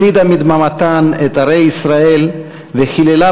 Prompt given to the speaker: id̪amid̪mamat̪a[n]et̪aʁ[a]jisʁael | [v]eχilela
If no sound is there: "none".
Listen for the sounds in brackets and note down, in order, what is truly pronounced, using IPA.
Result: n, e, v

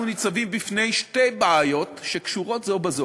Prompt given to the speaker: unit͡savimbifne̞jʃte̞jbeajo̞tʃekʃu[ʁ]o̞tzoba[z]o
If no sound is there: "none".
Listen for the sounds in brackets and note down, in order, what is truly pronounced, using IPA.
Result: ʁ, z

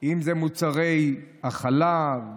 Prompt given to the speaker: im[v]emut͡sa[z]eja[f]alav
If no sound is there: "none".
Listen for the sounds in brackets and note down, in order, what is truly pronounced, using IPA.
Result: z, ʁ, χ

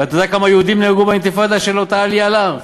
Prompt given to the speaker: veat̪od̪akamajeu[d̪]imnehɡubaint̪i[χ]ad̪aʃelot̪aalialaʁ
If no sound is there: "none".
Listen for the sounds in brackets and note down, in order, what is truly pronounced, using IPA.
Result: d̪, f

